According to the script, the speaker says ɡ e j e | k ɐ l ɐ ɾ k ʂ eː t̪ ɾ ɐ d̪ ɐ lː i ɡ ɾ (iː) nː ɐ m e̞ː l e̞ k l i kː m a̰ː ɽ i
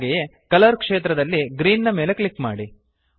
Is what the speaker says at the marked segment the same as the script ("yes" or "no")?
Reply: yes